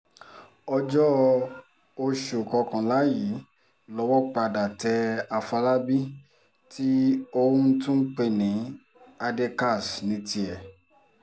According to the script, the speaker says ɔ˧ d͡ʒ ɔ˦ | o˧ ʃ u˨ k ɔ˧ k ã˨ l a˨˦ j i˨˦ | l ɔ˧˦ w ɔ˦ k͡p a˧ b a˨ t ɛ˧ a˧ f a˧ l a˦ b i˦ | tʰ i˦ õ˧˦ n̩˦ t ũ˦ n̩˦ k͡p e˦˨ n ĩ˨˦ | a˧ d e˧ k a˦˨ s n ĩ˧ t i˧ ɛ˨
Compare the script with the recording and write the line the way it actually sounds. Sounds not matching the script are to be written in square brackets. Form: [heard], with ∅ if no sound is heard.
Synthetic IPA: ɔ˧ d͡ʒ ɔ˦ | o˧ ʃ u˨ k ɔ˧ k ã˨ l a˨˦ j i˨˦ | l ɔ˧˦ w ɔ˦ k͡p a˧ [d] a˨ t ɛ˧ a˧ f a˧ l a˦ b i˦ | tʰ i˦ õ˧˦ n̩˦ t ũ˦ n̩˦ k͡p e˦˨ n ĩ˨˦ | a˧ d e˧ k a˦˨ s n ĩ˧ t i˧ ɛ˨

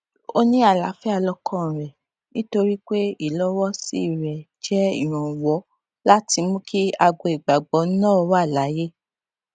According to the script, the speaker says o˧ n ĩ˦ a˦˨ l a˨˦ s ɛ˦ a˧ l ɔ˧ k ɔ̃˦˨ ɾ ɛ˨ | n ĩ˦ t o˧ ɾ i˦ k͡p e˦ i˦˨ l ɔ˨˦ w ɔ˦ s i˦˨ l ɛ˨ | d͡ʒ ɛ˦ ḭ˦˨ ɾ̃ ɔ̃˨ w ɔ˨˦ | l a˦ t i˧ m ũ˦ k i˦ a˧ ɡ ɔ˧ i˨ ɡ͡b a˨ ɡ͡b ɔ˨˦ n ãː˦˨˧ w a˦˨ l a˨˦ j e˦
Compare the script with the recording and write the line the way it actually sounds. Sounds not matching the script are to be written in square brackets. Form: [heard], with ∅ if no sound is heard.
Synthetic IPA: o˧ n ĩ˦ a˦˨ l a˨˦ [f] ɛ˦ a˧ l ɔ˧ k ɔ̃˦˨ ɾ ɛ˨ | n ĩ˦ t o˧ ɾ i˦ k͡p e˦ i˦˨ l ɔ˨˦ w ɔ˦ s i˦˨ [ɾ] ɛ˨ | d͡ʒ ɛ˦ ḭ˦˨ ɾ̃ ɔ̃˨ w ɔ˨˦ | l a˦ t i˧ m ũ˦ k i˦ a˧ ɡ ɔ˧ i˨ ɡ͡b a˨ ɡ͡b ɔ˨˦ n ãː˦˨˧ w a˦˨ l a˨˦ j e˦

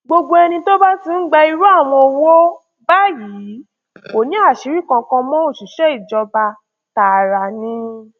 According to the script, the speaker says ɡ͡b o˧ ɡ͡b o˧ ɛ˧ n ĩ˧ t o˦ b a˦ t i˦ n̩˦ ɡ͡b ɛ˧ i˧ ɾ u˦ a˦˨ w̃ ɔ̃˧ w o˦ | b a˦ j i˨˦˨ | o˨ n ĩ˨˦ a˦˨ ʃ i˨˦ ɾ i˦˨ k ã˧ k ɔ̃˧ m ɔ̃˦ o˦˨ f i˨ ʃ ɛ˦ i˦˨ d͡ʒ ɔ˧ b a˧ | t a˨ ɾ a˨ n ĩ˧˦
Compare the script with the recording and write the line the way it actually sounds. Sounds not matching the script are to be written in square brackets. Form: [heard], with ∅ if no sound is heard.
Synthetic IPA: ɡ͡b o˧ ɡ͡b o˧ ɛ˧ n ĩ˧ t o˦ b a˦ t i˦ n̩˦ ɡ͡b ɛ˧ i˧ ɾ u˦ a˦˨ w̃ ɔ̃˧ w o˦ | b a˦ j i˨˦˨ | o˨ n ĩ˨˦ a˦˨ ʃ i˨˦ ɾ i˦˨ k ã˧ k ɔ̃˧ m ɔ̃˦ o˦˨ [ʃ] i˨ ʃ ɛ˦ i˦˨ d͡ʒ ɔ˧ b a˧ | t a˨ ɾ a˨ n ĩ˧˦

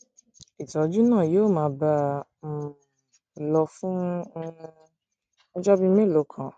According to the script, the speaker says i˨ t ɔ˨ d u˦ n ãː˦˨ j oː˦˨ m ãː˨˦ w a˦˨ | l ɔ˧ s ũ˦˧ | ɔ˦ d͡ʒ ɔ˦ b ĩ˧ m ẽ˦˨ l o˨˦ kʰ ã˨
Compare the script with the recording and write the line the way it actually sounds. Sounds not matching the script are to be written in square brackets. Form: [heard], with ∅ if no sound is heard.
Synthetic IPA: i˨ t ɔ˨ [d͡ʒ] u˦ n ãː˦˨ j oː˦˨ m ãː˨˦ [b] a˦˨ | l ɔ˧ [f] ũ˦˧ | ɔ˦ d͡ʒ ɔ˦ b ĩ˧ m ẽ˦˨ l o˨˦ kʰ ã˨

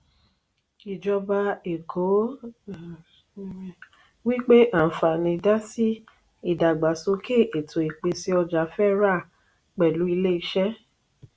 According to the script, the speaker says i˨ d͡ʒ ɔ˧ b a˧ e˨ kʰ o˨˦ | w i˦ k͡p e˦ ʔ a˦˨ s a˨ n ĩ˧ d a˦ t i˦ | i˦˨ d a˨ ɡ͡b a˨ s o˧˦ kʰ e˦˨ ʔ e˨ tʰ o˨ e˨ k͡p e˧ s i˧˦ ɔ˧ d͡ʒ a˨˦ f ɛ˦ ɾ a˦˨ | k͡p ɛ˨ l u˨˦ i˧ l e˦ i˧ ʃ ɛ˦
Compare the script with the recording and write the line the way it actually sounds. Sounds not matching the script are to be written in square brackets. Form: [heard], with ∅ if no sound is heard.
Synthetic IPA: i˨ d͡ʒ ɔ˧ b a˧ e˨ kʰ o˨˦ | w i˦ k͡p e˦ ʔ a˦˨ [f] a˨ n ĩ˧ d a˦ [s] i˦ | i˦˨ d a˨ ɡ͡b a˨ s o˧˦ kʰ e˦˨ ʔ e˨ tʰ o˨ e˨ k͡p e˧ s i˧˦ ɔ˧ d͡ʒ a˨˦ f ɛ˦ ɾ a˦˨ | k͡p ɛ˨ l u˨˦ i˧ l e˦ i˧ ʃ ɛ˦

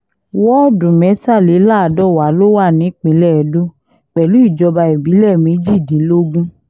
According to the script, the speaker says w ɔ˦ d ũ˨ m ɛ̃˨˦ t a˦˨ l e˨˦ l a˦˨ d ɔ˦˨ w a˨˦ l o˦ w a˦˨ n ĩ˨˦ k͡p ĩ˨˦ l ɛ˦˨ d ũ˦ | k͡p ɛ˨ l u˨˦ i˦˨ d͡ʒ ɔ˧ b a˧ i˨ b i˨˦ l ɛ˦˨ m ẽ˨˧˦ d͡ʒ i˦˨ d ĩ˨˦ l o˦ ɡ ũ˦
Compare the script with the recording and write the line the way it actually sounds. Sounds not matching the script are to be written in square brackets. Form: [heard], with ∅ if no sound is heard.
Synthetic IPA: w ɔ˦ d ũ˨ m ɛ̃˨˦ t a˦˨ l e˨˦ l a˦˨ d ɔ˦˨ w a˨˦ l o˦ w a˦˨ n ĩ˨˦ k͡p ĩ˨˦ l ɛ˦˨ d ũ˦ | k͡p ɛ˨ l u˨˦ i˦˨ d͡ʒ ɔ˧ b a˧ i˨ b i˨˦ l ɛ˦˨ m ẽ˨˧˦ d͡ʒ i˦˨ d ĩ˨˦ l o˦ ɡ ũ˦

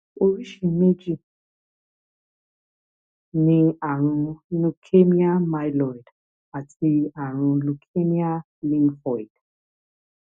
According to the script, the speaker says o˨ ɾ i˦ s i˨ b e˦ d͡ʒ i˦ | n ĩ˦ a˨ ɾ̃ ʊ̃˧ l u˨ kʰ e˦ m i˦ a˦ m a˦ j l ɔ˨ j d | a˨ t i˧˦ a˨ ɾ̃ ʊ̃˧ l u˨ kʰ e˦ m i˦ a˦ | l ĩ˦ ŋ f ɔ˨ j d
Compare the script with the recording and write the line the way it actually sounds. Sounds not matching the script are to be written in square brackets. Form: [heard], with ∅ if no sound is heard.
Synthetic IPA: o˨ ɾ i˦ [ʃ] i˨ [m] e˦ d͡ʒ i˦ | n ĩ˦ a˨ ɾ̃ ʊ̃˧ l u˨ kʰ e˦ m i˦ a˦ m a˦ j l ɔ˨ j d | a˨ t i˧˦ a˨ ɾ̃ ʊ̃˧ l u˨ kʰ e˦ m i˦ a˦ | l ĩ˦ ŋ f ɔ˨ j d

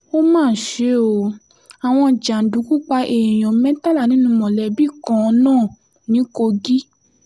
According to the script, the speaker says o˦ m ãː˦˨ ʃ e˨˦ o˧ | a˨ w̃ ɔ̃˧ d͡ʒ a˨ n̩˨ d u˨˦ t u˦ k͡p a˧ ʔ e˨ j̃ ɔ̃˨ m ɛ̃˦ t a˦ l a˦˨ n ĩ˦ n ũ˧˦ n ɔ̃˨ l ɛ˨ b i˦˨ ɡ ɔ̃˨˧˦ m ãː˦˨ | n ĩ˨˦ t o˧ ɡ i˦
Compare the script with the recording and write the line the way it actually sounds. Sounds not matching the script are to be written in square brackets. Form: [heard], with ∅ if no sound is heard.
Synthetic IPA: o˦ m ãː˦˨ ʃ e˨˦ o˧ | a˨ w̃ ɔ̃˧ d͡ʒ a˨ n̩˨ d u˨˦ [k] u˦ k͡p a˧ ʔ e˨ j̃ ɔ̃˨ m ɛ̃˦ t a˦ l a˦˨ n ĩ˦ n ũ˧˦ [m] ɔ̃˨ l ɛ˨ b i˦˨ [k] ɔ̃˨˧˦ [n] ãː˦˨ | n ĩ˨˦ [k] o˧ ɡ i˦

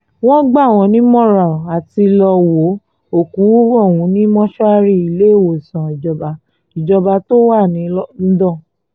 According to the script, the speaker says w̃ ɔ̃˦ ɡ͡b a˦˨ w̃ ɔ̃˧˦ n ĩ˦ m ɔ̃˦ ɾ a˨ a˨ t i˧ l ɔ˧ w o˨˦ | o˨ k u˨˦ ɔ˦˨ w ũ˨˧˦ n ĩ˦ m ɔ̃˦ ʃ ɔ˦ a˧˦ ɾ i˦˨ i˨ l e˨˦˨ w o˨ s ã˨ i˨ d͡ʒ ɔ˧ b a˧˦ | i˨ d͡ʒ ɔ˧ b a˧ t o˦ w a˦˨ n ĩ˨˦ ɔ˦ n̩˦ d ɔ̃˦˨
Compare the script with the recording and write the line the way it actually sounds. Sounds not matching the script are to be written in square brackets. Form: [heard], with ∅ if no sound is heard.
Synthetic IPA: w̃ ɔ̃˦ ɡ͡b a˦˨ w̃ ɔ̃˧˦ n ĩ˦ m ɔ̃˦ ɾ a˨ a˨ t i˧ l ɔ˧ w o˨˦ | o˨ k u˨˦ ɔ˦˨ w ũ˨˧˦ n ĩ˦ m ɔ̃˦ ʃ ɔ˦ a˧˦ ɾ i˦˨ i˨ l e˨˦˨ w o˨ s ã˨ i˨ d͡ʒ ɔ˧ b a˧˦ | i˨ d͡ʒ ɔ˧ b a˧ t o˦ w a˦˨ n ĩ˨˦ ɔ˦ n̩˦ d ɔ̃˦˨

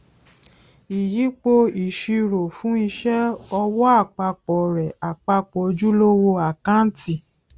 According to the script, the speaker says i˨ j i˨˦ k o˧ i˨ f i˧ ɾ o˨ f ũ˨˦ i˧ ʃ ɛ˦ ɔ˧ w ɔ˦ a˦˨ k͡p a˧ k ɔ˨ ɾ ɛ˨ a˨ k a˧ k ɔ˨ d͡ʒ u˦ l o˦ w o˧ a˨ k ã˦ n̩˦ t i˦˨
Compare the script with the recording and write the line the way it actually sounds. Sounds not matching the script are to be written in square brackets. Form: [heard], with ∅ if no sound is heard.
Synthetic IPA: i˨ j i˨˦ [k͡p] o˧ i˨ [ʃ] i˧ ɾ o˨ f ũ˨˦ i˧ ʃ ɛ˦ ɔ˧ w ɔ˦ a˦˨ k͡p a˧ [k͡p] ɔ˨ ɾ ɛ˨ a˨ [k͡p] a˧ [k͡p] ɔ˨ d͡ʒ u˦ l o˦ w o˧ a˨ k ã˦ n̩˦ t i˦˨

